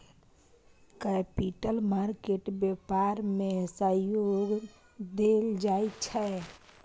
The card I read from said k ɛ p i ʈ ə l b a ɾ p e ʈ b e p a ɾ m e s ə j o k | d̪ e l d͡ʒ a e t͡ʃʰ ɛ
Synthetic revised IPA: k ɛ p i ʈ ə l m a ɾ k e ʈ b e p a ɾ m e s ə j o ɡ | d̪ e l d͡ʒ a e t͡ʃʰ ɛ